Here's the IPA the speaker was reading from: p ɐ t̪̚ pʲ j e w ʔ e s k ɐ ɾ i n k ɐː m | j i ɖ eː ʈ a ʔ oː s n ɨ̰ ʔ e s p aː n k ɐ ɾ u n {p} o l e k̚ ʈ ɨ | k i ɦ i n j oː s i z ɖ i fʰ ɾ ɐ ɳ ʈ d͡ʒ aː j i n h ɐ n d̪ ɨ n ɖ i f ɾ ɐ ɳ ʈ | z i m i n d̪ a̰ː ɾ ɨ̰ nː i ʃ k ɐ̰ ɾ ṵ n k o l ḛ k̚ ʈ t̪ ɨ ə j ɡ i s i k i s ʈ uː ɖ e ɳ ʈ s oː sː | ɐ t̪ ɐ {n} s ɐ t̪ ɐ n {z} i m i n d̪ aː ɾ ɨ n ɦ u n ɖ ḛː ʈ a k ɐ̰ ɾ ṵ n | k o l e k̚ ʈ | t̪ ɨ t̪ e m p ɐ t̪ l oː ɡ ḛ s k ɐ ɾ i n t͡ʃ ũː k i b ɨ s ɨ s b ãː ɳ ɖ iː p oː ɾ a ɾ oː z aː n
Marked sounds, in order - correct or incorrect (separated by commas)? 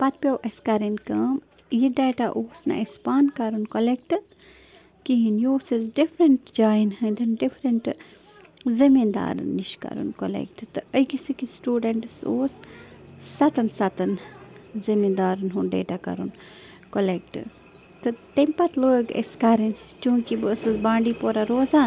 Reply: incorrect, correct, correct